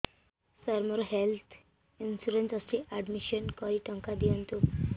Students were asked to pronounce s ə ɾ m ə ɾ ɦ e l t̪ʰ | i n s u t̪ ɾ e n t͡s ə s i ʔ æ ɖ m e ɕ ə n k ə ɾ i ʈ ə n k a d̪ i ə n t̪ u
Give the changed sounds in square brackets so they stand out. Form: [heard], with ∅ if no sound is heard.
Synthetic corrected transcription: s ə ɾ m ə ɾ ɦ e l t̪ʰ | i n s u [∅] ɾ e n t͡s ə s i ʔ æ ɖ m [i] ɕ ə n k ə ɾ i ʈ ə [ŋ] k a d̪ i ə n t̪ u